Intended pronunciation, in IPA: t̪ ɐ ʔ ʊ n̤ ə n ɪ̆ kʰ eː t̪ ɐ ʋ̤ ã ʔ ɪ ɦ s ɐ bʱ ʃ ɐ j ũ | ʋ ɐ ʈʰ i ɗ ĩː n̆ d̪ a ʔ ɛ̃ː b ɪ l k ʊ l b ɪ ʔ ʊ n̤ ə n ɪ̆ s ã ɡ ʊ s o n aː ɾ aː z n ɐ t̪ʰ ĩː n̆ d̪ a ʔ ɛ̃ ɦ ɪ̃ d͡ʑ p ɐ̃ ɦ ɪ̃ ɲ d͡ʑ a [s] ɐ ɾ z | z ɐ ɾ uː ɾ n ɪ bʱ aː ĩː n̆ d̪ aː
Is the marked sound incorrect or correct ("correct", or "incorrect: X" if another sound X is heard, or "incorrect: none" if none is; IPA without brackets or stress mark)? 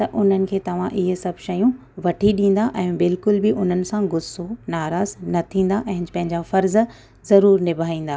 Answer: incorrect: f